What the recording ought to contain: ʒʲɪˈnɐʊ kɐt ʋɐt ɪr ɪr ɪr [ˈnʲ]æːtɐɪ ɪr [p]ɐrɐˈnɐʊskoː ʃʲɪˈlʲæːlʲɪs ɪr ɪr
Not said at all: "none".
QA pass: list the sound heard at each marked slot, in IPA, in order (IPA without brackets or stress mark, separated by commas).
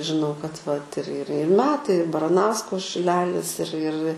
mʲ, b